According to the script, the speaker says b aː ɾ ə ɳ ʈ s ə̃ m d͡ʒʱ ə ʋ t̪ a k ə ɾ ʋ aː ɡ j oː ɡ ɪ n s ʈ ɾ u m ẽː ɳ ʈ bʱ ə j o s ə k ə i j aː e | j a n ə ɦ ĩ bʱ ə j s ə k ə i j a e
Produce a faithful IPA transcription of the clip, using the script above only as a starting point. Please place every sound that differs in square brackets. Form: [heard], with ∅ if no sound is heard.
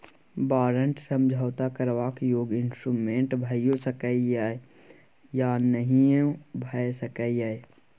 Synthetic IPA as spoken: b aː ɾ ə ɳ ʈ s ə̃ m d͡ʒʱ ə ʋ t̪ a k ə ɾ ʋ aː [k] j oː ɡ ɪ n s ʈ ɾ u m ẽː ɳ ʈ bʱ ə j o s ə k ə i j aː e | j a n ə ɦ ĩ bʱ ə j s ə k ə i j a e